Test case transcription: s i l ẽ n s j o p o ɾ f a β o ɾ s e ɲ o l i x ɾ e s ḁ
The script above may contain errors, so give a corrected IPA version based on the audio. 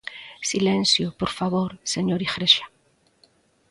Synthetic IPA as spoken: s i l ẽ n s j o p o ɾ f a β o ɾ s e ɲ o ɾ i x ɾ e ʃ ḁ